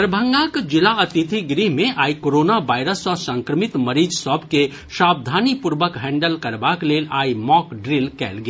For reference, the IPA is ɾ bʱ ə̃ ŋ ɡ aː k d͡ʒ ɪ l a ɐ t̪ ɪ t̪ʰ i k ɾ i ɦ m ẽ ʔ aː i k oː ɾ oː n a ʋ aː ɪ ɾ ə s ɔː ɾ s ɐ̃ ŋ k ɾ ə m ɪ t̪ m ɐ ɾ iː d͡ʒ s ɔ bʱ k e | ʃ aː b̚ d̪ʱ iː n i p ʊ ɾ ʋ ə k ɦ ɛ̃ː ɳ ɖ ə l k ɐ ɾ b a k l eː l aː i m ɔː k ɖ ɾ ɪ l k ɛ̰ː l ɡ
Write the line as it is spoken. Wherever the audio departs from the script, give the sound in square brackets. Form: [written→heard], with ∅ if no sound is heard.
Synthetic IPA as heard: ɾ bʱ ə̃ ŋ ɡ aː k d͡ʒ ɪ l a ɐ t̪ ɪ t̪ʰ i [k→ɡ] ɾ i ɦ m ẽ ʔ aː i k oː ɾ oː n a ʋ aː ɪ ɾ ə s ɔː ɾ s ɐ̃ ŋ k ɾ ə m ɪ t̪ m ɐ ɾ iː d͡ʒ s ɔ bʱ k e | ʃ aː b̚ d̪ʱ [iː→aː] n i p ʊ ɾ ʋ ə k ɦ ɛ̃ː ɳ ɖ ə l k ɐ ɾ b a k l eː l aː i m ɔː k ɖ ɾ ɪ l k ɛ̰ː l ɡ